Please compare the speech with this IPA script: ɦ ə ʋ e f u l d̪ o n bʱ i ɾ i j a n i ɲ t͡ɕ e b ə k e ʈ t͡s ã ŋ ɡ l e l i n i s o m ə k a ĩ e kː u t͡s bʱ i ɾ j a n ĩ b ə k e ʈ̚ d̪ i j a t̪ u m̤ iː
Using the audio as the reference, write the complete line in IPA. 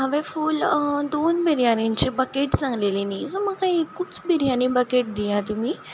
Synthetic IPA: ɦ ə ʋ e f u l d̪ o n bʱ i ɾ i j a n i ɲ t͡ɕ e b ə k e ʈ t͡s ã ŋ ɡ l e l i n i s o m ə k a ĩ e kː u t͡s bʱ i ɾ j a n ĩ b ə k e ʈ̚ d̪ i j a t̪ u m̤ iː